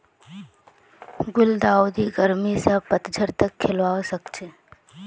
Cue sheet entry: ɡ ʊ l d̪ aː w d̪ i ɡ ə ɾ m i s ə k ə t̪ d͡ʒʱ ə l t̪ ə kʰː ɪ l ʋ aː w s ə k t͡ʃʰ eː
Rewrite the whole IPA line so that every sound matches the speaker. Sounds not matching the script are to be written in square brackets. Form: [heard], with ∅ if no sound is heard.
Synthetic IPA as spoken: ɡ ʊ l d̪ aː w d̪ i ɡ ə ɾ m i s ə [p] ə t̪ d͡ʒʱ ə [ɾ] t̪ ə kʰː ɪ l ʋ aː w s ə k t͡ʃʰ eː